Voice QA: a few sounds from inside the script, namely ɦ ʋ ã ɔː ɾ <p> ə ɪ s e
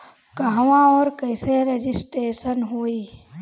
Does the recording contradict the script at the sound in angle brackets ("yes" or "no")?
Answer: yes